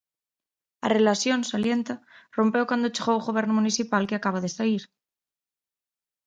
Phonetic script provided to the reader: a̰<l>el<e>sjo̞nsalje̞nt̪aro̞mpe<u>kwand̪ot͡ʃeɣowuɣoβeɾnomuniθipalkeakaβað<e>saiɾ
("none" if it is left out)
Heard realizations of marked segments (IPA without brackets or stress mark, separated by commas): r, a, w, e